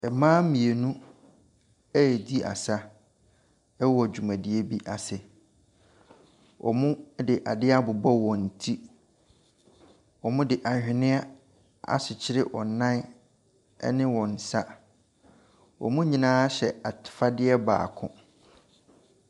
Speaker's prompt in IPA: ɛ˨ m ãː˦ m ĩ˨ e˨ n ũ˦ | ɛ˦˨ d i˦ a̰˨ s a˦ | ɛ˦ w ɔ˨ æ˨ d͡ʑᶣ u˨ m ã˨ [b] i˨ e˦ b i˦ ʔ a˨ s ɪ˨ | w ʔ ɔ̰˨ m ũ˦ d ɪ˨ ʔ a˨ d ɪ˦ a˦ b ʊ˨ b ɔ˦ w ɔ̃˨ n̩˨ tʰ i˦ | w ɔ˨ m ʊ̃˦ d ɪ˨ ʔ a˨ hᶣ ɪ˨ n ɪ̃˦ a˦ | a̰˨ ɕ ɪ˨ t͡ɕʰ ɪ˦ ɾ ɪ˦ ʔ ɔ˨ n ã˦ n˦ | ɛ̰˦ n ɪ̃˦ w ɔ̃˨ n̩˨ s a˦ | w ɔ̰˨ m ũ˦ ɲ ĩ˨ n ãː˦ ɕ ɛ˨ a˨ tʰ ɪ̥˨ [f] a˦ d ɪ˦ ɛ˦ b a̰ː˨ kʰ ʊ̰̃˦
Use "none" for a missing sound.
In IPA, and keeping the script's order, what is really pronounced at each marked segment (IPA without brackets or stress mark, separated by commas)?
d, f